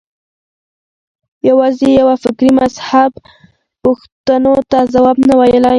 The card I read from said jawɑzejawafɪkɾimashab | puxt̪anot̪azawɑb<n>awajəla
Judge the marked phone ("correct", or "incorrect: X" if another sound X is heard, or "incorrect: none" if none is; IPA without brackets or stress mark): correct